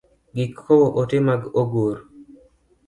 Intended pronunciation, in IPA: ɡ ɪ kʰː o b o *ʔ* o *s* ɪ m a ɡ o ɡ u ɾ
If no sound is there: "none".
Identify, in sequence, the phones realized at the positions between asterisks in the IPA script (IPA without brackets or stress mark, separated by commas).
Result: ʔ, t